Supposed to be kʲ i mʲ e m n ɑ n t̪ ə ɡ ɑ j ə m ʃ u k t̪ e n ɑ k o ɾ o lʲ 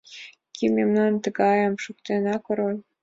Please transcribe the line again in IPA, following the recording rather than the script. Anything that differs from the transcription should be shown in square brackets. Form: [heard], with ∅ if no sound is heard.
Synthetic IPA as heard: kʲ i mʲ e m n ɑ n t̪ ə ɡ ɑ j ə m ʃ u k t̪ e n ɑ k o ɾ o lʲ